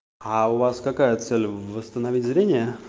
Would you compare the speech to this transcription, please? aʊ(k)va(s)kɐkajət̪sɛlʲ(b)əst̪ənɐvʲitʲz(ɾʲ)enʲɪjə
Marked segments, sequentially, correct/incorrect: incorrect: none, correct, incorrect: v, correct

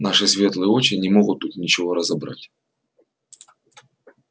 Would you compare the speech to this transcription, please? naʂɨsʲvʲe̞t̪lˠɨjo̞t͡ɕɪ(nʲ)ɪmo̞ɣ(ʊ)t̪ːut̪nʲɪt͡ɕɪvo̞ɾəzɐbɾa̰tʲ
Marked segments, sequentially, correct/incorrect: correct, correct

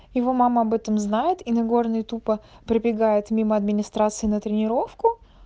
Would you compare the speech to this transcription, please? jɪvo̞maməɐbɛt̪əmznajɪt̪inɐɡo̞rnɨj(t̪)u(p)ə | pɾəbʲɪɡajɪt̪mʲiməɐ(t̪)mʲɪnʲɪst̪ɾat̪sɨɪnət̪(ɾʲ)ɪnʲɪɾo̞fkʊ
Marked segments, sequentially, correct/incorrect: correct, correct, incorrect: d̪, correct

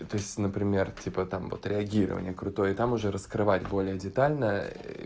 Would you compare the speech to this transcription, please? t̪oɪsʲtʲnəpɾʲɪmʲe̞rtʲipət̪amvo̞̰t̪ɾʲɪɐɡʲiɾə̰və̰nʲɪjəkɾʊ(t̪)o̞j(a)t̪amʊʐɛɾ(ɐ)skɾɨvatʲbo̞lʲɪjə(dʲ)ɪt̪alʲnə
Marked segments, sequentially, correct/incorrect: correct, incorrect: ə, incorrect: ə, correct

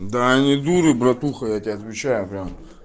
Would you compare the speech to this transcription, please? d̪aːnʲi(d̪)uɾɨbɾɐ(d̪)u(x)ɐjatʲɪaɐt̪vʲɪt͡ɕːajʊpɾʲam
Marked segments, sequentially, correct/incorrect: correct, incorrect: t̪, correct

